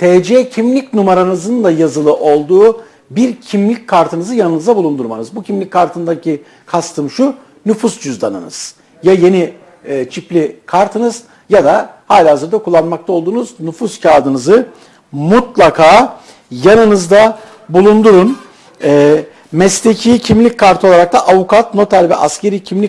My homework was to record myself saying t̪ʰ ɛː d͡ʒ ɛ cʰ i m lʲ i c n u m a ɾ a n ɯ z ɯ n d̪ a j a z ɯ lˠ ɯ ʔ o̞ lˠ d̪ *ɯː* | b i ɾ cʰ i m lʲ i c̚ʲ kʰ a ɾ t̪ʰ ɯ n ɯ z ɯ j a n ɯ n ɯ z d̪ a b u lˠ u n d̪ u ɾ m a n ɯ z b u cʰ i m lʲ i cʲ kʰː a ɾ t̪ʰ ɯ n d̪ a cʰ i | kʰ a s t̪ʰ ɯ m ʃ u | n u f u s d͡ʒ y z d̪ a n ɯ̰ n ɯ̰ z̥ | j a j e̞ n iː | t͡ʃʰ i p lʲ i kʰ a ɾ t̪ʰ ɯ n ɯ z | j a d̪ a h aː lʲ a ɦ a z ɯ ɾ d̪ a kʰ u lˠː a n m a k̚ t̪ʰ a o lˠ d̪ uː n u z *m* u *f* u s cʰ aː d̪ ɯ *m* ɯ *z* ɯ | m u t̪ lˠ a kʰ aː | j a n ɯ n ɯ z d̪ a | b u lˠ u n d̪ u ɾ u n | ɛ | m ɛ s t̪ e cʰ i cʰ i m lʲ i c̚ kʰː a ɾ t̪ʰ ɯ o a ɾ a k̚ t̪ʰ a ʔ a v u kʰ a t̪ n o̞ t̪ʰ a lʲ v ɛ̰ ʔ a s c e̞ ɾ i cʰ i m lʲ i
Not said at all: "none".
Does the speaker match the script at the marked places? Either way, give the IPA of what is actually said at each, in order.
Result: uː, n, f, n, z

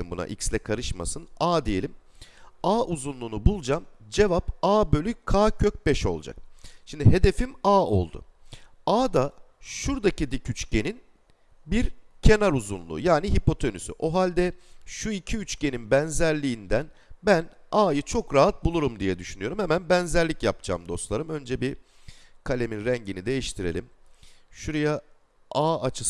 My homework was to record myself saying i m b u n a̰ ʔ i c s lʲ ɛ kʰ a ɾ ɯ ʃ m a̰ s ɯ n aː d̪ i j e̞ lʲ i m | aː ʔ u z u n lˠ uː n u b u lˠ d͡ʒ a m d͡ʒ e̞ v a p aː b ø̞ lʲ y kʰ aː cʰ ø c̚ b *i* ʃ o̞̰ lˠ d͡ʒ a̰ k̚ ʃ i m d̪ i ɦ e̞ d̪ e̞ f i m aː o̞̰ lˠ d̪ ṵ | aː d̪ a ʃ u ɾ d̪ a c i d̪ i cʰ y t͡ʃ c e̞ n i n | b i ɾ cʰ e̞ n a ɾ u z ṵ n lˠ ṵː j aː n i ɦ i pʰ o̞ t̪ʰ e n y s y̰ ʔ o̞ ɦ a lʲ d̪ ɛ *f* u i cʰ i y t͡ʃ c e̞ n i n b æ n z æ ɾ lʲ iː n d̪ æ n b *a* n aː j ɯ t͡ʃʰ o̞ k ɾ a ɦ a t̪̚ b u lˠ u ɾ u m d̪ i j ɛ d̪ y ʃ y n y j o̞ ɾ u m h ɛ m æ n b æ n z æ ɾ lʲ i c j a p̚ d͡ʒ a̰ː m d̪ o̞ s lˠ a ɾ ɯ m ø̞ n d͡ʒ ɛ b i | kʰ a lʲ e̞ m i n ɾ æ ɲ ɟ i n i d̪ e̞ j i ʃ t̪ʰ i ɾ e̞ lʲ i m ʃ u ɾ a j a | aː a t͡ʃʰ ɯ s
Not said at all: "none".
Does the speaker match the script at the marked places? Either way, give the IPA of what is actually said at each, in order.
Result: ɛ, ʃ, æ

